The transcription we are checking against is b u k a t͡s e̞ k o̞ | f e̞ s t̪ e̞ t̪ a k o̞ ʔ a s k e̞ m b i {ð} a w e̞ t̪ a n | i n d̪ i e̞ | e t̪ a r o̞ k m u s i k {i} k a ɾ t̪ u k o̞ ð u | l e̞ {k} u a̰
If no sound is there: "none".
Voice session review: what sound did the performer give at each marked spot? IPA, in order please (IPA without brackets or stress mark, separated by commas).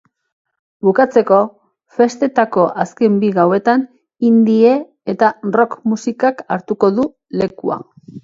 ɣ, a, k